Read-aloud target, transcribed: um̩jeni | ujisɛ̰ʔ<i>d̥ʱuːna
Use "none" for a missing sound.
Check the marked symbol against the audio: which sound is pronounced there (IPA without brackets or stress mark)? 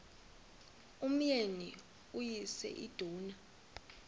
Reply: i